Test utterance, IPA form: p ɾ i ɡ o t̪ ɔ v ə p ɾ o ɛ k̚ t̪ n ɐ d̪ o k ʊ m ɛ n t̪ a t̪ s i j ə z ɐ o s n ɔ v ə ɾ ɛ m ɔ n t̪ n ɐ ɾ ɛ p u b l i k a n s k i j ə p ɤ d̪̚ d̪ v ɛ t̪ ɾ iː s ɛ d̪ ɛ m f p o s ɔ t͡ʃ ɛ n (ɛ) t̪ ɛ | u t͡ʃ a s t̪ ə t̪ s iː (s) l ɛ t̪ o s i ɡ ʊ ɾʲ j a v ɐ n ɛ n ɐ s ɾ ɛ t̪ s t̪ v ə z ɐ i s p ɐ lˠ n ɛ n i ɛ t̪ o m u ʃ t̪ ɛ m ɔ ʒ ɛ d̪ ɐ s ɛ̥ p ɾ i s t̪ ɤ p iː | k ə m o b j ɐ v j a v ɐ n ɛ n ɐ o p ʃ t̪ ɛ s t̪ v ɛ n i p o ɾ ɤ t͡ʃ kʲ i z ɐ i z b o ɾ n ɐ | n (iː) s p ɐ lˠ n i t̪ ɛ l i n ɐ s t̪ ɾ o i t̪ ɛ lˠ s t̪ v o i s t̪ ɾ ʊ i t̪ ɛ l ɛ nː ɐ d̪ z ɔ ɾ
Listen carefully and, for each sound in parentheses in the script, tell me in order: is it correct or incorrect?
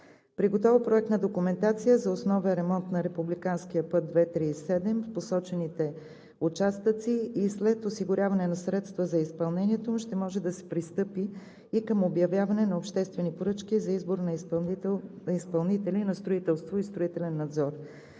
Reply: incorrect, correct, incorrect

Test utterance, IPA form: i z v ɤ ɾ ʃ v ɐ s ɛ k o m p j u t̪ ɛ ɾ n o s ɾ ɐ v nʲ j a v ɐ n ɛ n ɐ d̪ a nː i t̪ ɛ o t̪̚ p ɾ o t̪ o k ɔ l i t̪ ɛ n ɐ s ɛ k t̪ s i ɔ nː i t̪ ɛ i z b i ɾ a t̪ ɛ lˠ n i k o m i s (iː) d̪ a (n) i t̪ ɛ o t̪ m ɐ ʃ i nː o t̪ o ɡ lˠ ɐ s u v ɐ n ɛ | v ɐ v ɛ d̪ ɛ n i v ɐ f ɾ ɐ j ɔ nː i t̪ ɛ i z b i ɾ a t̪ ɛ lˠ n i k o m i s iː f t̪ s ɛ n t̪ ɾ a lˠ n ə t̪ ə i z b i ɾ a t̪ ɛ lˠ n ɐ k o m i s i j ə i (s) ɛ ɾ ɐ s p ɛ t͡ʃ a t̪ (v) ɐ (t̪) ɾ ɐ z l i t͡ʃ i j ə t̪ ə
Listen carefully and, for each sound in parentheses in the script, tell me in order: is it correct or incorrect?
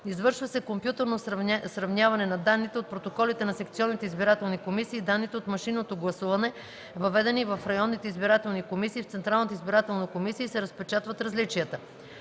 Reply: correct, incorrect, correct, correct, correct

